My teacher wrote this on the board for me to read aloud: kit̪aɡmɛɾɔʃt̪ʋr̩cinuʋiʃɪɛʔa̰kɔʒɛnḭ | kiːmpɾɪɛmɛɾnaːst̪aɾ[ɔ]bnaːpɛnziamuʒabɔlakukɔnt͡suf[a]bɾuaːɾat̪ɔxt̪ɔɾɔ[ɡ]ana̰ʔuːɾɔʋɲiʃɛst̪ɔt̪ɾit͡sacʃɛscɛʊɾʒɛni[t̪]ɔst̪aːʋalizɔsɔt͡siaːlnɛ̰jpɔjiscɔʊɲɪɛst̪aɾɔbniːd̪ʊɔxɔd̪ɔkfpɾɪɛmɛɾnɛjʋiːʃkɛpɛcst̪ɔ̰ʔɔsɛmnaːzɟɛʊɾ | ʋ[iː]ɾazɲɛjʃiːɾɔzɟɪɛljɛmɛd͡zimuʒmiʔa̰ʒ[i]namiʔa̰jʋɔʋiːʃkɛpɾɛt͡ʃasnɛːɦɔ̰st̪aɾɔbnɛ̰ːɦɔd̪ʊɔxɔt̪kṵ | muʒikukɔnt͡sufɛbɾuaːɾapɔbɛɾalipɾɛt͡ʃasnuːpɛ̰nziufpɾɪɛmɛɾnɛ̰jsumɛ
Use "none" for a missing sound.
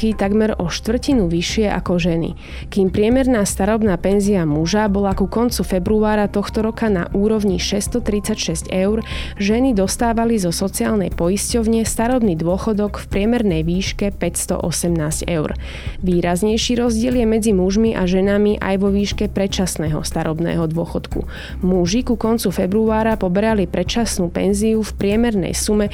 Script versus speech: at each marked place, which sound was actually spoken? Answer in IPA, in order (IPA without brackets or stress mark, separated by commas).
ɔ, ɛ, k, d̪, iː, ɛ